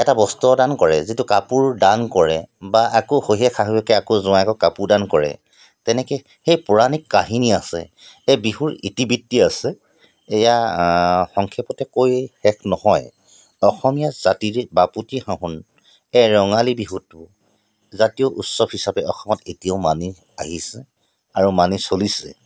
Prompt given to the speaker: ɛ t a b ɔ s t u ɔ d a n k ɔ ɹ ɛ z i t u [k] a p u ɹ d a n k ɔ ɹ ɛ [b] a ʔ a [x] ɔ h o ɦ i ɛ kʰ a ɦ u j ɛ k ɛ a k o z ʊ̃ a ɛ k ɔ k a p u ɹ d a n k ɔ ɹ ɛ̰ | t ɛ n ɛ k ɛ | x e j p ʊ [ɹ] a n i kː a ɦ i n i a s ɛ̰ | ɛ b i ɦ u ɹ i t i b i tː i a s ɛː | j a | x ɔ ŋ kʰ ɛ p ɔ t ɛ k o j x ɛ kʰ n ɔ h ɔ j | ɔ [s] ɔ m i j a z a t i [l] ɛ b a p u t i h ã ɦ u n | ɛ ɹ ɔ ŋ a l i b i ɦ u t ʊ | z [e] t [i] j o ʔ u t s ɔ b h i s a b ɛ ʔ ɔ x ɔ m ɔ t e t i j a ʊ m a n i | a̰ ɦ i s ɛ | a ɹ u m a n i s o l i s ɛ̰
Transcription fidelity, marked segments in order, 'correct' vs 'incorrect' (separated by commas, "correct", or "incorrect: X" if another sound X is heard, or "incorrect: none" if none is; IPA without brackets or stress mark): correct, correct, incorrect: k, correct, incorrect: x, incorrect: ɹ, incorrect: a, correct